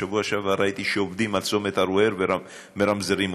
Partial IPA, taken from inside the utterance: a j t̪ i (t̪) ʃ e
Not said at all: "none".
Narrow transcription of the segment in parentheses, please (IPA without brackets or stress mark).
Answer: none